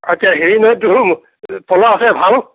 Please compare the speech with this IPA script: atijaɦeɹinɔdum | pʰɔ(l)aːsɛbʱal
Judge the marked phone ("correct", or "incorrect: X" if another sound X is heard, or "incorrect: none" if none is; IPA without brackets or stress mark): correct